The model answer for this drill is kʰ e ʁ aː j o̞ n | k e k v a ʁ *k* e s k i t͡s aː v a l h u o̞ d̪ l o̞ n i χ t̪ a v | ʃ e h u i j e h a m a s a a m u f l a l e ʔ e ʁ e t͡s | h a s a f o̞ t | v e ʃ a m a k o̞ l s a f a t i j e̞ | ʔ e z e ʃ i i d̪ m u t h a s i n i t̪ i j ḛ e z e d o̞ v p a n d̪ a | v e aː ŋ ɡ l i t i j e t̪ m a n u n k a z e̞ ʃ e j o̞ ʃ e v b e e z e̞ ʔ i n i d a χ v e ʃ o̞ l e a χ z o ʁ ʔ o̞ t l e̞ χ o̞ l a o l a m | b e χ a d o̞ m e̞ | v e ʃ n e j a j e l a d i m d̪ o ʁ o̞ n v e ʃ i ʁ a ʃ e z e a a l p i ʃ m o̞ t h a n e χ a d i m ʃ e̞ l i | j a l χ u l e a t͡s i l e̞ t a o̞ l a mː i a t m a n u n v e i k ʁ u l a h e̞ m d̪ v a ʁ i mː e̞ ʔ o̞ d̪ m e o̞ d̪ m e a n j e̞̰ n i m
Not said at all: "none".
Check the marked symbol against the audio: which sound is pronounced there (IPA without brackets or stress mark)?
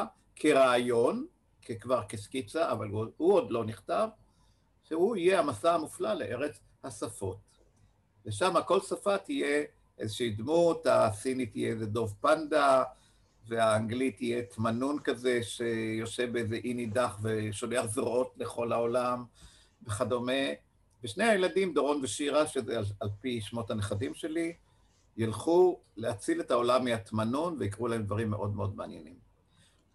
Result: k